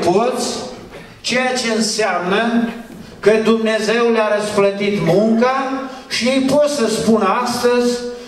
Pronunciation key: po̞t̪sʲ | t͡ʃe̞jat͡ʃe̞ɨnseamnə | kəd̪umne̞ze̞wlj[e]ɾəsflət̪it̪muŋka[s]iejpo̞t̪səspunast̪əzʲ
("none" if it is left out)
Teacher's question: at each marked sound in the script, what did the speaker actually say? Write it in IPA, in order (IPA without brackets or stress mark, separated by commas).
a, ʃ